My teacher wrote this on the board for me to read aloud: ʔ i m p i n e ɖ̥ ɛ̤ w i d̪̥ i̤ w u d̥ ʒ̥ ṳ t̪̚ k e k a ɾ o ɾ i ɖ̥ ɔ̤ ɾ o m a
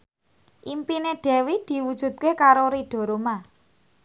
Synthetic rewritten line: ʔ i m p i n e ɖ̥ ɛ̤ w i d̪̥ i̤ w u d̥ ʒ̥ ṳ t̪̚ k e k a ɾ o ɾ i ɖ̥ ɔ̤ ɾ o m a